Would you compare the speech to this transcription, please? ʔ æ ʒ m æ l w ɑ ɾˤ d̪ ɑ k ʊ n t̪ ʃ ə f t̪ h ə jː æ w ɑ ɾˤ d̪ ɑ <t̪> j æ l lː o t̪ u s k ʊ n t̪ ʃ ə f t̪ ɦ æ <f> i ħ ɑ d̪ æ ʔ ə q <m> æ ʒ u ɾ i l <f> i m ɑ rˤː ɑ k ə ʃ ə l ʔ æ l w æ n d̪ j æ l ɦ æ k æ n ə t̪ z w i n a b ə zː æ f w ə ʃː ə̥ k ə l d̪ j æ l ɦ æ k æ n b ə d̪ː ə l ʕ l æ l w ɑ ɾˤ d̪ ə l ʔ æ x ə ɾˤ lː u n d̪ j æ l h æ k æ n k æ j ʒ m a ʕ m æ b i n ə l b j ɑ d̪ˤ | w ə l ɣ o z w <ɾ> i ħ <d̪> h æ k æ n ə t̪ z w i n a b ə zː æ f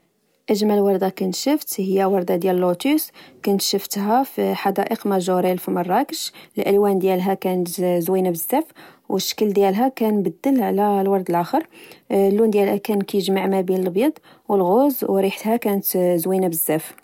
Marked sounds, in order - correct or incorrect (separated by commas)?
incorrect, correct, correct, correct, correct, incorrect